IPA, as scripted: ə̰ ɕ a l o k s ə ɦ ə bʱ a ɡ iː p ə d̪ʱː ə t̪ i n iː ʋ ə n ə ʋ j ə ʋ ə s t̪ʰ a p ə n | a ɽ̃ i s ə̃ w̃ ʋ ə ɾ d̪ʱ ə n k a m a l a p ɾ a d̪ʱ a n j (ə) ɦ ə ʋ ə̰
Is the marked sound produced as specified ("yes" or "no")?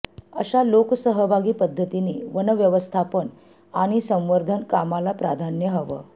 yes